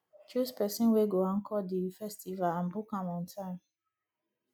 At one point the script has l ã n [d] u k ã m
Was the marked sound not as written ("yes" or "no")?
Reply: yes